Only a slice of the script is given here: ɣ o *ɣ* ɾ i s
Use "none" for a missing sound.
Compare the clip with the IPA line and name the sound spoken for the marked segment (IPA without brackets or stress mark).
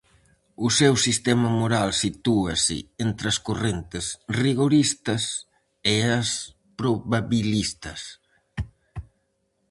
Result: none